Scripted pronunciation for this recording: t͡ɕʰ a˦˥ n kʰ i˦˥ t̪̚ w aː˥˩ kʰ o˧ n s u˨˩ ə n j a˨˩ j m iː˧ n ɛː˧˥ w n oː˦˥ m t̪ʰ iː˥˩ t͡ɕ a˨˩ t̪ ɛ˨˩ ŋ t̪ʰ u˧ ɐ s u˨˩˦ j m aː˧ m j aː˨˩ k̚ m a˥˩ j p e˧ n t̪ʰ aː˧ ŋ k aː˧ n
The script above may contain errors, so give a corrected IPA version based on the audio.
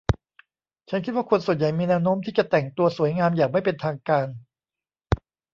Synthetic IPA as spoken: t͡ɕʰ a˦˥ n kʰ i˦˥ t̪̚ w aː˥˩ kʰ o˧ n s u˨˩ ə n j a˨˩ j m iː˧ n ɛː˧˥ w n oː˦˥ m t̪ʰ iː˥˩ t͡ɕ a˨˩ t̪ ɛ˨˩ ŋ t̪ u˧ ɐ s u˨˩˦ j ŋ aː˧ m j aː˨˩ k̚ m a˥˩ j p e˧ n t̪ʰ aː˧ ŋ k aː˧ n